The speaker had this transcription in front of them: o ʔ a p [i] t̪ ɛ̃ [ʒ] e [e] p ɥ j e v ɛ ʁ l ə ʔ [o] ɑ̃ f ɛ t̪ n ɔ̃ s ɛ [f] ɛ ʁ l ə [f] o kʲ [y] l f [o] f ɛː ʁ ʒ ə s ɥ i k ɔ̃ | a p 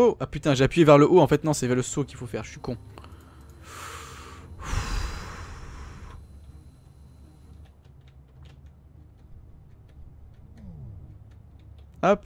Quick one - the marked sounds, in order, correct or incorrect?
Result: incorrect: y, correct, incorrect: a, correct, incorrect: v, incorrect: s, incorrect: i, correct

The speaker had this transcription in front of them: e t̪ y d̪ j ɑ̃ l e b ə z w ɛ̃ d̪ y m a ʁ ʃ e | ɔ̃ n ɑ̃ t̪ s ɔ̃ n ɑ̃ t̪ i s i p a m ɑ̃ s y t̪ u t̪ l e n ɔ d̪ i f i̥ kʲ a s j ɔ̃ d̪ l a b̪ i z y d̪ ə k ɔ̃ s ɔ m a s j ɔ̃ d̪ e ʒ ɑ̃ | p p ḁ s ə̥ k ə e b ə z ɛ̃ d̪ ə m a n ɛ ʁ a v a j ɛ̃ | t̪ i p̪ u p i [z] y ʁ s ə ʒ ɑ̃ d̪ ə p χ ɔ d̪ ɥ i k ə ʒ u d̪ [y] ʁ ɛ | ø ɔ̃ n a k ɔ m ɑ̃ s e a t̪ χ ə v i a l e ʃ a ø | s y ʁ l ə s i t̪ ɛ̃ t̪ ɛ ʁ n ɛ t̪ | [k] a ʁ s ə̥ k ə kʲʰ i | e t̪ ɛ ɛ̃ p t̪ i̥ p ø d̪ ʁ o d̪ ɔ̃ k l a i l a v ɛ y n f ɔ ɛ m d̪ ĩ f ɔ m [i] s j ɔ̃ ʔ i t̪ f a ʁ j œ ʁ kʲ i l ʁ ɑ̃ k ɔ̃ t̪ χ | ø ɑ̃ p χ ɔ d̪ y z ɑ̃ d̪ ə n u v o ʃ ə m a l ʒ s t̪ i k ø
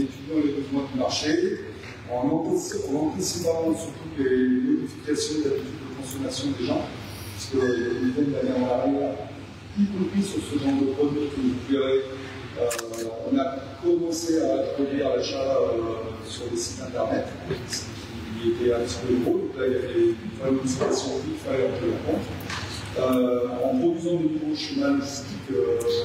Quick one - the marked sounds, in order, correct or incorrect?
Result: incorrect: s, incorrect: i, incorrect: p, incorrect: a

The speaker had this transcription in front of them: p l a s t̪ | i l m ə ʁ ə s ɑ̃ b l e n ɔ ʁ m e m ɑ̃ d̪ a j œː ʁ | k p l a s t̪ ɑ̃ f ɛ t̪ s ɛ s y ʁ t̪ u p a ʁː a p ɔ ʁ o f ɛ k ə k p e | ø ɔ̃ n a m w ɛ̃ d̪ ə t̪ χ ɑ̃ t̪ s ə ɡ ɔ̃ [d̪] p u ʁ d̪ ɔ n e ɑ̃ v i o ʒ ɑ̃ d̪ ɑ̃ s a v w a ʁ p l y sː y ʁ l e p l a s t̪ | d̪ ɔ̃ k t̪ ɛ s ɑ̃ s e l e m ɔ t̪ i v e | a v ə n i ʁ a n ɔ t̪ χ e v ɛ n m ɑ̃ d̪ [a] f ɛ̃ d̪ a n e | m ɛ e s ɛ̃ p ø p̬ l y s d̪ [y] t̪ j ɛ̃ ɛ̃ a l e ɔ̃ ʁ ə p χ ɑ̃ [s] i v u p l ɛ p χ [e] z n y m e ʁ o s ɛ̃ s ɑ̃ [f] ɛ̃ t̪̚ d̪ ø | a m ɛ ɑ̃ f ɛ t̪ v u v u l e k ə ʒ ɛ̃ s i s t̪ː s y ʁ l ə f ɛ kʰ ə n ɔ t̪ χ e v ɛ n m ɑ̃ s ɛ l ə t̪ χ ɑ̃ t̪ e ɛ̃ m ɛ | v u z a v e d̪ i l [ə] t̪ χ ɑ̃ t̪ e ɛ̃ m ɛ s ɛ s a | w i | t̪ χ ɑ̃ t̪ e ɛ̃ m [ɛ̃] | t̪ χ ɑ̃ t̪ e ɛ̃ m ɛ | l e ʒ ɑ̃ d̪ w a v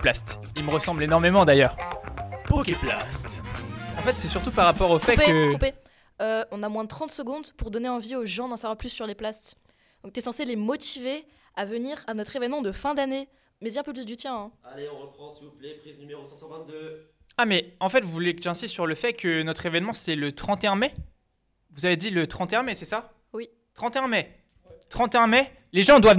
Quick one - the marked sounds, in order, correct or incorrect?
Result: correct, incorrect: ə, correct, correct, incorrect: i, incorrect: v, correct, incorrect: ɛ

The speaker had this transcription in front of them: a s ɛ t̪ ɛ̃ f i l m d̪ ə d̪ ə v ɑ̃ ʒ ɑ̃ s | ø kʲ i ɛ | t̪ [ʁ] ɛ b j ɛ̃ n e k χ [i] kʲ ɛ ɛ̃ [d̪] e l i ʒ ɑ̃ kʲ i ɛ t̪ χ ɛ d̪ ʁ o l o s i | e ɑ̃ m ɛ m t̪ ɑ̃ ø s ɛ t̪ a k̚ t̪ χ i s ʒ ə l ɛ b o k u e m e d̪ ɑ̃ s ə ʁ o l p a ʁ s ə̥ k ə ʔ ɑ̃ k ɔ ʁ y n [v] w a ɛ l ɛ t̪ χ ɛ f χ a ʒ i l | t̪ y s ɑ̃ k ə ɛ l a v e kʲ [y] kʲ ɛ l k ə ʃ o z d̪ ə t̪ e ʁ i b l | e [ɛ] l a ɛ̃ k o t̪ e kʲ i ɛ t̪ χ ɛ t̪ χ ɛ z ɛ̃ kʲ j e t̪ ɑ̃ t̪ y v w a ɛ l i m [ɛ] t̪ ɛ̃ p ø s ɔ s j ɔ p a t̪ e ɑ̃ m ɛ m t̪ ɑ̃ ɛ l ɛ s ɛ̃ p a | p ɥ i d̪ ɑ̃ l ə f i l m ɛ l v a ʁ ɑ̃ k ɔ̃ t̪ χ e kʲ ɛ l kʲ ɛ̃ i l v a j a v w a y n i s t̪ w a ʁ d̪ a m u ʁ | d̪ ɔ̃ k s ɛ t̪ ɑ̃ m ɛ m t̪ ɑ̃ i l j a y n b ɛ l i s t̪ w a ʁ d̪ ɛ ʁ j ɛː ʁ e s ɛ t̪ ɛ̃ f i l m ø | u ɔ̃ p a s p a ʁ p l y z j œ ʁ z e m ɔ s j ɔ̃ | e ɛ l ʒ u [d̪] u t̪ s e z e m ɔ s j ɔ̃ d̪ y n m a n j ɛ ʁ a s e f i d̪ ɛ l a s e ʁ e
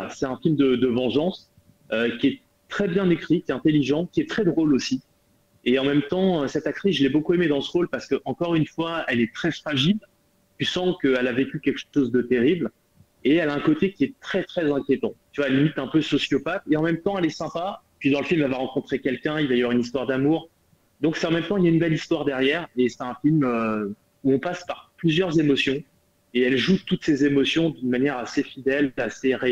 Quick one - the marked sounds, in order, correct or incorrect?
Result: incorrect: χ, correct, incorrect: t̪, incorrect: f, correct, correct, incorrect: i, incorrect: t̪

